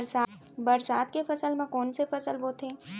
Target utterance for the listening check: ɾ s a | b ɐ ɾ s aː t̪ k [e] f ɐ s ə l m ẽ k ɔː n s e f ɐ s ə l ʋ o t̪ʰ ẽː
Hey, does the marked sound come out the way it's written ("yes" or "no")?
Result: yes